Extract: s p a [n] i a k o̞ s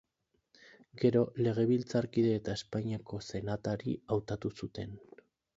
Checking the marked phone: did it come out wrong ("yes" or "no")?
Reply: yes